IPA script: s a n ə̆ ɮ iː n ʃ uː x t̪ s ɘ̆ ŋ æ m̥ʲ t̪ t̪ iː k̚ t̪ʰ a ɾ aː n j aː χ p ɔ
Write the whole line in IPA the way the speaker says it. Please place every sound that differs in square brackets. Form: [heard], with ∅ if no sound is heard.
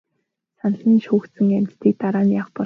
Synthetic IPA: s a n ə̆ ɮ iː n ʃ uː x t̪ s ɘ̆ ŋ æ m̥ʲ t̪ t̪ iː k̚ [t̪] a ɾ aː n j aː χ p ɔ